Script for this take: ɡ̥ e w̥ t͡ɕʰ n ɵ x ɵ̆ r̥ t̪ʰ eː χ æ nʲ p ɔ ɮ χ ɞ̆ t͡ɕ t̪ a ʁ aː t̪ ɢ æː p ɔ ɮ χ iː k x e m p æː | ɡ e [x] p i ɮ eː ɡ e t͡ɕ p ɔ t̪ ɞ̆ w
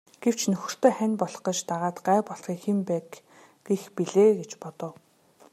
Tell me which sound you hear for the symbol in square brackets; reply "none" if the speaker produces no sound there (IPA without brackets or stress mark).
x